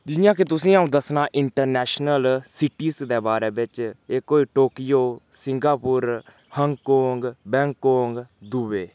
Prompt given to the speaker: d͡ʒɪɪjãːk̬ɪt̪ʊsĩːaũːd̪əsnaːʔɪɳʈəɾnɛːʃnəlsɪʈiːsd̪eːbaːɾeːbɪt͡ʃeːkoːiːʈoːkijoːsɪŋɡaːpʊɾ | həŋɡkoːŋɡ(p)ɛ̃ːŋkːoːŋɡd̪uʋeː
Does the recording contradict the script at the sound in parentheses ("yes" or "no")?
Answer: yes